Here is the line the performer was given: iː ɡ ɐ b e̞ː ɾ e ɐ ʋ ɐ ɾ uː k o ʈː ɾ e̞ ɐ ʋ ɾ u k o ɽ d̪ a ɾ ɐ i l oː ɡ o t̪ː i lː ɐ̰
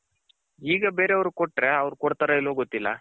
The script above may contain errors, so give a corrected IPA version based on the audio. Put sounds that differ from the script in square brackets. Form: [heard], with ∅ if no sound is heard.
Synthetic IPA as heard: iː ɡ ɐ b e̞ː ɾ e ɐ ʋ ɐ ɾ [u] k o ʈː ɾ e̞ ɐ ʋ ɾ u k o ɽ [t̪] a ɾ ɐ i l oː ɡ o t̪ː i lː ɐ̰